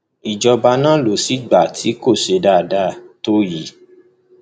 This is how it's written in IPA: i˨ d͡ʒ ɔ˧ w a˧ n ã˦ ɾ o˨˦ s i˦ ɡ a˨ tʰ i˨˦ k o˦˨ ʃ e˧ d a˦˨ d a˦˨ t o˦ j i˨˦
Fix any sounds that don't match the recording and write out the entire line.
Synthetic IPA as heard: i˨ d͡ʒ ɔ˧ b a˧ n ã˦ l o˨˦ s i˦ ɡ͡b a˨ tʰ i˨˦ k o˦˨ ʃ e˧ d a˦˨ d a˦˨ t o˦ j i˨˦